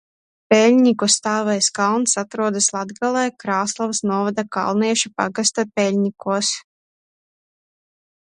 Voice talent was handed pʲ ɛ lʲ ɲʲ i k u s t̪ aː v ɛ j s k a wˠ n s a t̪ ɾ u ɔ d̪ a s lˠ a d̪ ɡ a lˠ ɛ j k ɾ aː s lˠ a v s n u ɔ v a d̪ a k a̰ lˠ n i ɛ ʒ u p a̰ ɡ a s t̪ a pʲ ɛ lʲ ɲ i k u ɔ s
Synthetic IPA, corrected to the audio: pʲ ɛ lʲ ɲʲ i k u s t̪ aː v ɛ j s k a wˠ n s a t̪ ɾ u ɔ d̪ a s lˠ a d̪ ɡ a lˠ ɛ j k ɾ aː s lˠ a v s n u ɔ v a d̪ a k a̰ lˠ n i ɛ ʃ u p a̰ ɡ a s t̪ a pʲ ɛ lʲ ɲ i k u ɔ s